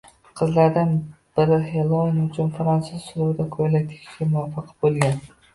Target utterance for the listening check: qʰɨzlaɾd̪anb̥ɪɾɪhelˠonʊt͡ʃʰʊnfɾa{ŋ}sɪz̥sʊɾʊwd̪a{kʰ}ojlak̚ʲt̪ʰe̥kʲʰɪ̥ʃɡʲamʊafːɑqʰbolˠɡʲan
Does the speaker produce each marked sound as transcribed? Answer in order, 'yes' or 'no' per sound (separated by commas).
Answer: no, yes